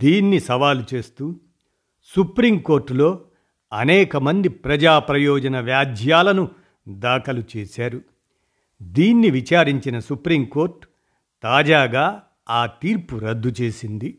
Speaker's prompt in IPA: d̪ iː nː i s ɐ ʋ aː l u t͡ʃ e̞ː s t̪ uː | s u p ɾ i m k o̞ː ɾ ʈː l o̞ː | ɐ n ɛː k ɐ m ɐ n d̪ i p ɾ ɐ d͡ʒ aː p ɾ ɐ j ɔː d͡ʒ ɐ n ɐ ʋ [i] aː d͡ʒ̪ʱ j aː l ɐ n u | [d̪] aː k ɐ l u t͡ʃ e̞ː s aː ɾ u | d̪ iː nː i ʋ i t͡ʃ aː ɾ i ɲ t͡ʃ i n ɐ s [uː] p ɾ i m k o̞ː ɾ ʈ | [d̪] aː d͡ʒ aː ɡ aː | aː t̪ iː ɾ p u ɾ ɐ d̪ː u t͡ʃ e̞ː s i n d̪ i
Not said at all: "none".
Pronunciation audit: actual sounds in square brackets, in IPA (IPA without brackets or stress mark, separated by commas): j, d̪, u, t̪